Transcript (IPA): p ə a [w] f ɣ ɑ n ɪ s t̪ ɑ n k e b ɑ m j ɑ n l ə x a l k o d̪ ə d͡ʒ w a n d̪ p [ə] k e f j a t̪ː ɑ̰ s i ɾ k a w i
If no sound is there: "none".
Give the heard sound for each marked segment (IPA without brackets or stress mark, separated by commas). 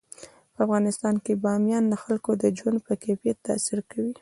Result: none, ə